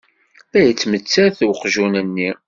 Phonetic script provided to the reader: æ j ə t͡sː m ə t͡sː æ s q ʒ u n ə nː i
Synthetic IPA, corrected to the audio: æ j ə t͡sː m ə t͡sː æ θ q ʒ u n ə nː i